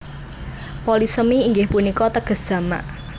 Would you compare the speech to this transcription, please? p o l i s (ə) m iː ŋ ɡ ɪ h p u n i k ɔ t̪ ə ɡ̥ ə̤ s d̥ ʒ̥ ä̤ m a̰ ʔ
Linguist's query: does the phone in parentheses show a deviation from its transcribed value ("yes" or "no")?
no